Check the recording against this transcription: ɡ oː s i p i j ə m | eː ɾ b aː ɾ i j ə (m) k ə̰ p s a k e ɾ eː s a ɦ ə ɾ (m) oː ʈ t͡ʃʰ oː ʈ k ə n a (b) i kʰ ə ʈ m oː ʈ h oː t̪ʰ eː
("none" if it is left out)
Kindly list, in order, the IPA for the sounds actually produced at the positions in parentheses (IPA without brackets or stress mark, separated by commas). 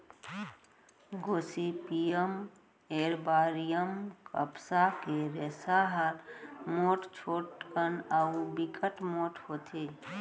m, m, b